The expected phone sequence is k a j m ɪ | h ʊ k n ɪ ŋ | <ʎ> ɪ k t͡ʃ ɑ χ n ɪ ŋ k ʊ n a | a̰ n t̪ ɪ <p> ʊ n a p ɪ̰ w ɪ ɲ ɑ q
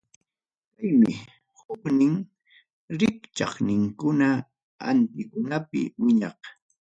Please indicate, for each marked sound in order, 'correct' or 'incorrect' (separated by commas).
incorrect, incorrect